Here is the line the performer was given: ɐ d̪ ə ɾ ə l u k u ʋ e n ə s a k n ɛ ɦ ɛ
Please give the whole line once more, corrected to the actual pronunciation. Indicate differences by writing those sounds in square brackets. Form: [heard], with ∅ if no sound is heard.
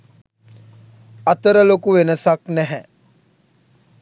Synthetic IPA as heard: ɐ [t̪] ə ɾ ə l [o] k u ʋ e n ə s a k n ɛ ɦ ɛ